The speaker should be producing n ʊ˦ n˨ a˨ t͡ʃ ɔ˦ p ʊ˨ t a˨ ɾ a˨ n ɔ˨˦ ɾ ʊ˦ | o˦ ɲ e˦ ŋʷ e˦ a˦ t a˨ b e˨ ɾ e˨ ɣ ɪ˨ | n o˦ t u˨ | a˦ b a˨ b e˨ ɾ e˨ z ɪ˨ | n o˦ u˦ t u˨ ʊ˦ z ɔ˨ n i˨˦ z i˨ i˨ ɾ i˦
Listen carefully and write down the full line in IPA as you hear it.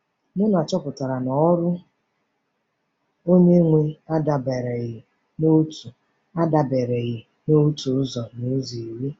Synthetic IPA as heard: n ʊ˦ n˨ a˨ t͡ʃ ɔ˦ p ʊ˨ t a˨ ɾ a˨ n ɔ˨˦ ɾ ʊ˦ | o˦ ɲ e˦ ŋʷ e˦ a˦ d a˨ b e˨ ɾ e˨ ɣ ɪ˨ | n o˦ t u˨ | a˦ d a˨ b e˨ ɾ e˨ ɣ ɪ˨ | n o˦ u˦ t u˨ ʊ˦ z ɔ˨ n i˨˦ z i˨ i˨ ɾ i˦